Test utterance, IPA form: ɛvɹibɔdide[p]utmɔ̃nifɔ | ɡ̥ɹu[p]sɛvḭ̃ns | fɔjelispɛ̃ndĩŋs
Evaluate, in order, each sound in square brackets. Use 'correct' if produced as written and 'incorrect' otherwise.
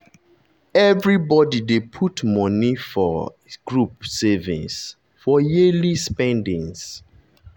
incorrect, correct

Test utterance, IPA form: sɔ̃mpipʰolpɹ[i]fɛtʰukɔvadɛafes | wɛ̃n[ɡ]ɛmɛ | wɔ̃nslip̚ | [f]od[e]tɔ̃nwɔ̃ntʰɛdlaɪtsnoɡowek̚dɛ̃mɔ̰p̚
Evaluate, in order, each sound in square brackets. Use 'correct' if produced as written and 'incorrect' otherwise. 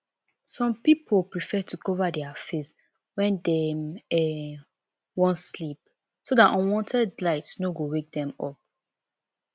correct, incorrect, incorrect, incorrect

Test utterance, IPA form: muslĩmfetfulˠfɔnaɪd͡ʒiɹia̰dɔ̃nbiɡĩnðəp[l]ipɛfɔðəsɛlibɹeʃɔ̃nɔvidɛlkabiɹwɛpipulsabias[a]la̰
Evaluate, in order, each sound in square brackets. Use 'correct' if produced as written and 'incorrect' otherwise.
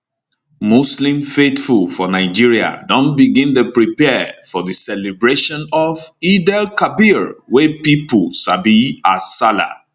incorrect, correct

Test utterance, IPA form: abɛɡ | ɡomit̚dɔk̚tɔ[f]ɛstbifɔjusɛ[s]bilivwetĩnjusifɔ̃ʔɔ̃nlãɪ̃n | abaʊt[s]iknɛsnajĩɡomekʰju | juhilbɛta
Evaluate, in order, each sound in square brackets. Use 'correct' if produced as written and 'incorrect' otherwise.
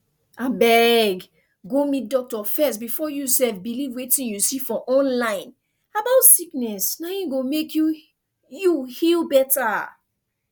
correct, incorrect, correct

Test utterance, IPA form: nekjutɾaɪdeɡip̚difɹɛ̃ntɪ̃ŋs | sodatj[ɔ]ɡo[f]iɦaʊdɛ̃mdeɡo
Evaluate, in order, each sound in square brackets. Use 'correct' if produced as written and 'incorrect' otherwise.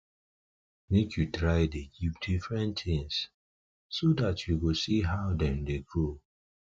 incorrect, incorrect

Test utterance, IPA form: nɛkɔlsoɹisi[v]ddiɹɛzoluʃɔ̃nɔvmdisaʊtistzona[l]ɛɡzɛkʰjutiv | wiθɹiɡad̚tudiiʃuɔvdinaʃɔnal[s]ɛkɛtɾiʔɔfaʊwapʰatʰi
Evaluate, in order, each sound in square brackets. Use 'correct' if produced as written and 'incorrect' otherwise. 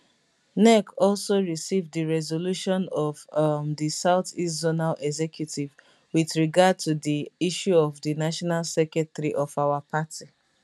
correct, correct, correct

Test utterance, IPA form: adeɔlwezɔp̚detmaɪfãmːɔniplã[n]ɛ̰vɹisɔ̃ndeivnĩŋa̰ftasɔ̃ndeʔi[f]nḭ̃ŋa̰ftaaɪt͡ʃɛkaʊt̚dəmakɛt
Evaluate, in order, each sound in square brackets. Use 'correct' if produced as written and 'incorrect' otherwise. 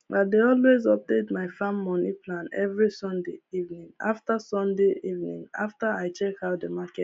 correct, incorrect

